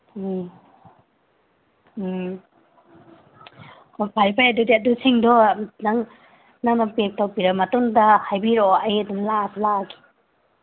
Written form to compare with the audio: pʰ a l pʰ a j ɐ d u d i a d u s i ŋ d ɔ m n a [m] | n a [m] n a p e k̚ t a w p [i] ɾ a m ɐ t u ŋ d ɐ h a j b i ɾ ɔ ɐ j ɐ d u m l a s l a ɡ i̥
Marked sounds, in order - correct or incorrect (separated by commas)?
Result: incorrect, incorrect, correct